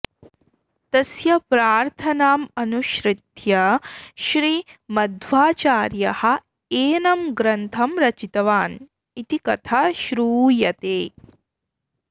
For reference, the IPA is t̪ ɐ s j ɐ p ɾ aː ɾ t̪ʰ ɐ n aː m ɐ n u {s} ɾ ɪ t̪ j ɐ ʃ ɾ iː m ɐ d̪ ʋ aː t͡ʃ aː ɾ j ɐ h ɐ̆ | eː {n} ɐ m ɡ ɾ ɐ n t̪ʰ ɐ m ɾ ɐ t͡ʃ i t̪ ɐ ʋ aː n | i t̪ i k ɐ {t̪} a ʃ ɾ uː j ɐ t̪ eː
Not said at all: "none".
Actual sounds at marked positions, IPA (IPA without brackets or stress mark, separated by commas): ʃ, n, t̪ʰ